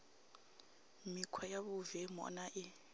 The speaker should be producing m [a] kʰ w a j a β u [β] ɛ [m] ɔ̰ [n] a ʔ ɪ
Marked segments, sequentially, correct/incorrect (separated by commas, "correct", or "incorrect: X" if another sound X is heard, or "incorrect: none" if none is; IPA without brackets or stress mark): incorrect: i, incorrect: v, correct, correct